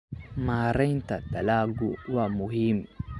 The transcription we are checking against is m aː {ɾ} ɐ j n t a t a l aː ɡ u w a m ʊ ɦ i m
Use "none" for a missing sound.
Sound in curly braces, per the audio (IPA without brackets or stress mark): ɾ